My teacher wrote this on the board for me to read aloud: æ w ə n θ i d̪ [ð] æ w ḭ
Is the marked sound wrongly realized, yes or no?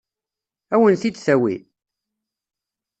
yes